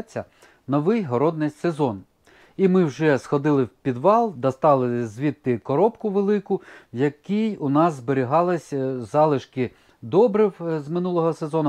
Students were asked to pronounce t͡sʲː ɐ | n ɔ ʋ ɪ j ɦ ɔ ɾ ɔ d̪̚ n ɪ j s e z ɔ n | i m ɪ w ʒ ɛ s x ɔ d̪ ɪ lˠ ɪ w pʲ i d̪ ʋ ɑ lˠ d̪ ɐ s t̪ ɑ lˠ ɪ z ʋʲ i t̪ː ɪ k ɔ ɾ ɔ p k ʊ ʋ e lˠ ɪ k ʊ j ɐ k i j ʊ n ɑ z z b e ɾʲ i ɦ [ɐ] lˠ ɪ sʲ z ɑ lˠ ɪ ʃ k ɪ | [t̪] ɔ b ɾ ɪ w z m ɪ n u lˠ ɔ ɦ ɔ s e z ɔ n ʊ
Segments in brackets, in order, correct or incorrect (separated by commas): incorrect, incorrect